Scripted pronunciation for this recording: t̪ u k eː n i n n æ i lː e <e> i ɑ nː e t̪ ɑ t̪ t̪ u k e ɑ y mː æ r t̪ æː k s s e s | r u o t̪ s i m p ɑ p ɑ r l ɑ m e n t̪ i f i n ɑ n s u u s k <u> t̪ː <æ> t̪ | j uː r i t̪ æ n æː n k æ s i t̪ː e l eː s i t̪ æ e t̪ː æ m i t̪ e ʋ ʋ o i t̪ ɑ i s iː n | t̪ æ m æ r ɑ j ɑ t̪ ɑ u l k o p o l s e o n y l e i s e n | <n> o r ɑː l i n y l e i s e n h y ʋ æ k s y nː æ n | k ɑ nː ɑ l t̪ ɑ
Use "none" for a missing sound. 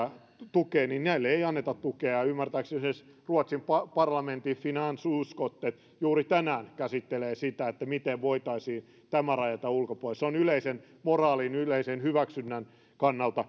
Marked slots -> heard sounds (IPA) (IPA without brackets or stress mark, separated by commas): e, o, e, m